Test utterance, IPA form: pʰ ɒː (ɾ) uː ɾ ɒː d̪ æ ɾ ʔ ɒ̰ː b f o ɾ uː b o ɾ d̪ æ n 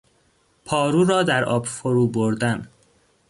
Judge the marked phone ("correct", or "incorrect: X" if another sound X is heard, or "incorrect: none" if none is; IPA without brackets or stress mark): correct